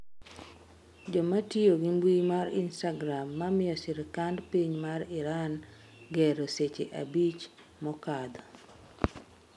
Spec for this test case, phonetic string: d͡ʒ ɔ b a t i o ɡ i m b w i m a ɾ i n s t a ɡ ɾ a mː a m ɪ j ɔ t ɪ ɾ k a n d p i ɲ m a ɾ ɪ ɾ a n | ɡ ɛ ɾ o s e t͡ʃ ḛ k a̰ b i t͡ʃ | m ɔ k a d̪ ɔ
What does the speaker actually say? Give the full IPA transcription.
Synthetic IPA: d͡ʒ ɔ m a t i o ɡ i m b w i m a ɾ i n s t a ɡ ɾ a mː a m ɪ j ɔ s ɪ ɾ k a n d p i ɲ m a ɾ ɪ ɾ a n | ɡ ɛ ɾ o s e t͡ʃ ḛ ʔ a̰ b i t͡ʃ | m ɔ k a d̪ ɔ